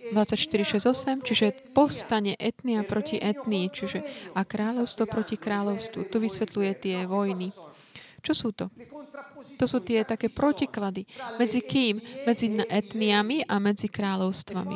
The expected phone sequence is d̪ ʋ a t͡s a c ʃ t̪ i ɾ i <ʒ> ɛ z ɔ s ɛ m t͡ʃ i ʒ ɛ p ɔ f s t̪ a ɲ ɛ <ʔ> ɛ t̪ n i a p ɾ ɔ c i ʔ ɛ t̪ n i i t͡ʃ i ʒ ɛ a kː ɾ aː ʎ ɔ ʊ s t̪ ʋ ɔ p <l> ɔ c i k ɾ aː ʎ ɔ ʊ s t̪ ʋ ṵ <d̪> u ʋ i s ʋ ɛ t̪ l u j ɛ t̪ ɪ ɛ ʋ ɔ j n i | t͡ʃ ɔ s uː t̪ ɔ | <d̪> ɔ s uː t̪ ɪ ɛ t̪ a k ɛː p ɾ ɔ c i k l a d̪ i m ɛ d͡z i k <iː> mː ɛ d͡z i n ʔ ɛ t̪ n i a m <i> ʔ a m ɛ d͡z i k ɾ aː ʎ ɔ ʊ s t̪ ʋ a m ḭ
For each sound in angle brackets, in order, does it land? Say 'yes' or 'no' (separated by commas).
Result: no, yes, no, no, no, yes, yes